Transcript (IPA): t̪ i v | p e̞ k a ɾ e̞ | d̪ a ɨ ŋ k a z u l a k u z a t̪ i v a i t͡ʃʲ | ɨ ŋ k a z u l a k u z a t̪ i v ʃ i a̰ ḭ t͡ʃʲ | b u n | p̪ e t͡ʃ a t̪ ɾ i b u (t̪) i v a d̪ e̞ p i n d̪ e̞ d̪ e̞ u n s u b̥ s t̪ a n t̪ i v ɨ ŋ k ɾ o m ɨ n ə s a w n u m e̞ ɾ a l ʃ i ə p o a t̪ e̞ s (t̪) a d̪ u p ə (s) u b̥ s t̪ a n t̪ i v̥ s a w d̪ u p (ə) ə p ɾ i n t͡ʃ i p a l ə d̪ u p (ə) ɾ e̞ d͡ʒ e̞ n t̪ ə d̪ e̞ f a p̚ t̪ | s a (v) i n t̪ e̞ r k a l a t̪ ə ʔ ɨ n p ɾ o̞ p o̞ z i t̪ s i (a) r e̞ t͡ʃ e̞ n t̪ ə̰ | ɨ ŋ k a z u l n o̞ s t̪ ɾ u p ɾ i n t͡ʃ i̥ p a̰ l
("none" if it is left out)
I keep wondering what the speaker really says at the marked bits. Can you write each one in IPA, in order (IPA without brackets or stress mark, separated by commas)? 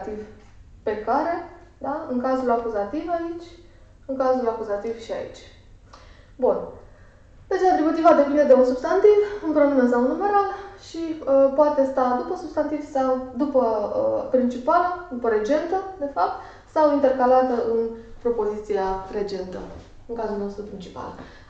t̪, t̪, s, ə, ə, w, a